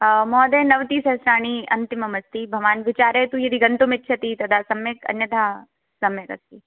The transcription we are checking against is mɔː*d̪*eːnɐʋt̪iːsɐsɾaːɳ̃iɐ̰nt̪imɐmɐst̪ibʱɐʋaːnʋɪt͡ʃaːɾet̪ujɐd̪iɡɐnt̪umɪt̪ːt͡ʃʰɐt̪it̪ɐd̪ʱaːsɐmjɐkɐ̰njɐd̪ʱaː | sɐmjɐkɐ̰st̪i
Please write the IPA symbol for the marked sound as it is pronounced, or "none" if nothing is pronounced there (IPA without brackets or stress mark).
d̪